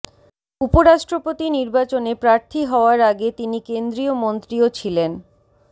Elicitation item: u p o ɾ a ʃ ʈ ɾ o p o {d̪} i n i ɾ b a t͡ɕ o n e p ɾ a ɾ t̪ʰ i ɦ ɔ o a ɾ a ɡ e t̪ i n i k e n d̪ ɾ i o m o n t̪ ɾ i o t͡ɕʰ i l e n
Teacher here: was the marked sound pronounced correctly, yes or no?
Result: no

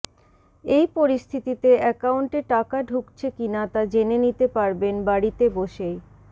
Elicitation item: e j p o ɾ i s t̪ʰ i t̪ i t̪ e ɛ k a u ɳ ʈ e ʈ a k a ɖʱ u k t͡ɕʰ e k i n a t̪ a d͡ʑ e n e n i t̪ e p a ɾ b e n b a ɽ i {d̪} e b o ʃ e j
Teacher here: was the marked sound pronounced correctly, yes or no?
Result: no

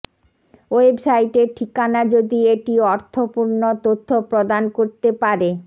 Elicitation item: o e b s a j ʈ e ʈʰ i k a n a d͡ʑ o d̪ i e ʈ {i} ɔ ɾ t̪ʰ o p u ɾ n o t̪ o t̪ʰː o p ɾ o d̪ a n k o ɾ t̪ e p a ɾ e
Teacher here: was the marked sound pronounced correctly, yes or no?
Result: yes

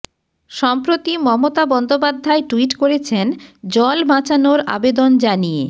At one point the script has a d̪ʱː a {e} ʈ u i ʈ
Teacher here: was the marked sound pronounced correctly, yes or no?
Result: yes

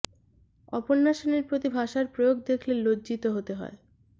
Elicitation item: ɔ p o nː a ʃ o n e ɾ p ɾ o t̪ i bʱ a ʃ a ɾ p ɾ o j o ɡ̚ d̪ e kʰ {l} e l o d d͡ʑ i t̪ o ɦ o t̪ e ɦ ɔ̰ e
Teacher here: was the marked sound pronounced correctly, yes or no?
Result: yes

